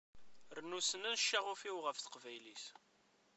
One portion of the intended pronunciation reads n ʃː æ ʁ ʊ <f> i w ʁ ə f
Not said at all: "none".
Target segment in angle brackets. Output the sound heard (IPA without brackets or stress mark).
f